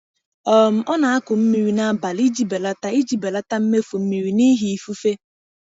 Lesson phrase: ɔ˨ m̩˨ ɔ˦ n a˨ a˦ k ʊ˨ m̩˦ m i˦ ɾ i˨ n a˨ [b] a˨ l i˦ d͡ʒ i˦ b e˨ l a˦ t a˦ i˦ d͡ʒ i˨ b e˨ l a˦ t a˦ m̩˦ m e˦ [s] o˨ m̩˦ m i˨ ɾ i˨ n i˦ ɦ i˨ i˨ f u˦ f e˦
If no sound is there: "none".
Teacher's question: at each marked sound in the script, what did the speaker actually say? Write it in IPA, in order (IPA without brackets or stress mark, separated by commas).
b, f